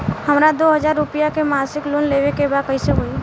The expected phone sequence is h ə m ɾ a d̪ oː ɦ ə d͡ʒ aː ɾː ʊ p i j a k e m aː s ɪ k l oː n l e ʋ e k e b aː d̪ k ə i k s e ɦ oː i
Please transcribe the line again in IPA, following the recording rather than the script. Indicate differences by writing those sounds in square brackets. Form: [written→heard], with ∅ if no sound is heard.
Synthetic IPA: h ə m ɾ a d̪ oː ɦ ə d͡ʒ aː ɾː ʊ p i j a k e m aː s ɪ k l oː n l e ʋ e k e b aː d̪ k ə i [k→∅] s e ɦ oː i